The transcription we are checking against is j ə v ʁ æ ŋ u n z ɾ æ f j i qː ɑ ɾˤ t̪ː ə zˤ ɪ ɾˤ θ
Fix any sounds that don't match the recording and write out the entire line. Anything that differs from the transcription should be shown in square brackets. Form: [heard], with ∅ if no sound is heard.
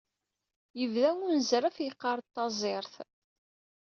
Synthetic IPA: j ə v [ð] æ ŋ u n z ɾ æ f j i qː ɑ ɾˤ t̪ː [ɑ] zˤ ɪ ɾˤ θ